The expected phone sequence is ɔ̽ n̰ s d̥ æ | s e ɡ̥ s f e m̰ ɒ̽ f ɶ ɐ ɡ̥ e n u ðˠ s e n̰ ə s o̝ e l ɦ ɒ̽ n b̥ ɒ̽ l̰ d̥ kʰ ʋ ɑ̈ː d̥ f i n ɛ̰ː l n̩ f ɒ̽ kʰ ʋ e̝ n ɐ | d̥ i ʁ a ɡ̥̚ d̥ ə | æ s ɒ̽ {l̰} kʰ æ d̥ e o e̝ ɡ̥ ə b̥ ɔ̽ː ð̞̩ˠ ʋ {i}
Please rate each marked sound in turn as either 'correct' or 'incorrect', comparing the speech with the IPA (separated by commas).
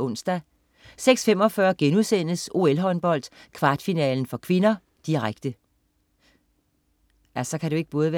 incorrect, incorrect